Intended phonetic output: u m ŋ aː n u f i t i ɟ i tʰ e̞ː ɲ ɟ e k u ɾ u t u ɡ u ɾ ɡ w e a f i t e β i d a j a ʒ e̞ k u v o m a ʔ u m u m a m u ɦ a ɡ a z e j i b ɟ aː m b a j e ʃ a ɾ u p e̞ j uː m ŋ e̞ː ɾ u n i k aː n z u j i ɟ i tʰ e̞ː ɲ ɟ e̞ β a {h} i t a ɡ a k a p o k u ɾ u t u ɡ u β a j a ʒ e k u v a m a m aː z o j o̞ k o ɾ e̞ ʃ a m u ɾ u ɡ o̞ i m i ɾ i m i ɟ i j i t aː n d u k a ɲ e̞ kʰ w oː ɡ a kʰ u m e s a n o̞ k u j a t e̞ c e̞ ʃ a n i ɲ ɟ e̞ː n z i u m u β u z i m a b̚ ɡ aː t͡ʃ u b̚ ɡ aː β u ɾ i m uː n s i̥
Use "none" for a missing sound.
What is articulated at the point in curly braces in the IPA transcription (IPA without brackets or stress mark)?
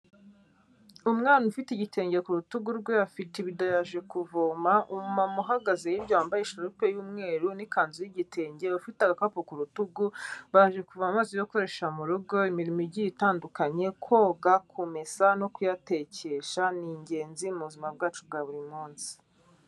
f